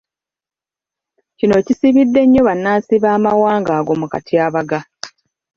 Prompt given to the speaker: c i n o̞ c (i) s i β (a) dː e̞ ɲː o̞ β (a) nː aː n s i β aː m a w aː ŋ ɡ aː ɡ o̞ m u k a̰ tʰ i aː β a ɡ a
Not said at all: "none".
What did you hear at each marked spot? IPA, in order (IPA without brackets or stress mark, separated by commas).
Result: i, i, a